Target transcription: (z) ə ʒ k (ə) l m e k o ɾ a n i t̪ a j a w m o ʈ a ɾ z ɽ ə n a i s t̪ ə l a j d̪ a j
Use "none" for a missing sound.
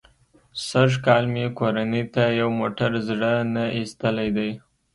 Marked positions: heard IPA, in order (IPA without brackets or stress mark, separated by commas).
s, ɑ